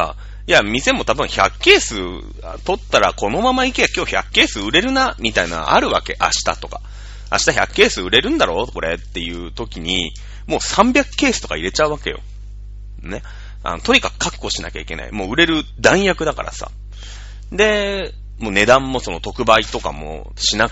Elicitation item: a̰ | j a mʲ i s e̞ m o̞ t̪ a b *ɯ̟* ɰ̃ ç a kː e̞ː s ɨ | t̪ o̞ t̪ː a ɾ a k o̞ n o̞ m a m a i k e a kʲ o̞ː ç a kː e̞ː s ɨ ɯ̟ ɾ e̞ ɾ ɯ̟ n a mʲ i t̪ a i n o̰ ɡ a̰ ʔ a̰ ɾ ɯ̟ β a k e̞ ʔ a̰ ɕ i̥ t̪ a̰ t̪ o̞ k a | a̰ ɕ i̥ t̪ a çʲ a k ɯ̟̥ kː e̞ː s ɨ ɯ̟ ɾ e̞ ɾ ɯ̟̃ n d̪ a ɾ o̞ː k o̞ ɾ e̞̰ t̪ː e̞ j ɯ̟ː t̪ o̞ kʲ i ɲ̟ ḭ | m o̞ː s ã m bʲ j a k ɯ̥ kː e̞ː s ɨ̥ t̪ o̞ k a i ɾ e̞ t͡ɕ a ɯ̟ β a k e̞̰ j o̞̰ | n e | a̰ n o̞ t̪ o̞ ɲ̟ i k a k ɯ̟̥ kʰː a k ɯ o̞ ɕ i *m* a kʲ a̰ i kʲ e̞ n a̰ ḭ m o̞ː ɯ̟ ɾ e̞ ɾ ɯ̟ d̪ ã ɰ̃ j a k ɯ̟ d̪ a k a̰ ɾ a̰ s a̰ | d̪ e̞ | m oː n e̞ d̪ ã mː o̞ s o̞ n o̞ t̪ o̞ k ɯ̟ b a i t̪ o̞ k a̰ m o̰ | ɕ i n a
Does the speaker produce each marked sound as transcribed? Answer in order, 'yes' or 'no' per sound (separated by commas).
no, no